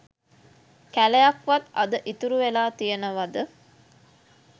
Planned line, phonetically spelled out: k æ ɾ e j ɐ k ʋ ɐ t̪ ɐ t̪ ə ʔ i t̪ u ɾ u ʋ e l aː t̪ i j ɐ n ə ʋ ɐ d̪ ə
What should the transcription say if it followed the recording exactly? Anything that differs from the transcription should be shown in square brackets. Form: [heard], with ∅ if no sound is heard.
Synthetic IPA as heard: k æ [l] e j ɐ k ʋ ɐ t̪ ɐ [d̪] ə ʔ i t̪ u ɾ u ʋ e l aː t̪ i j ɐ n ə ʋ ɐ d̪ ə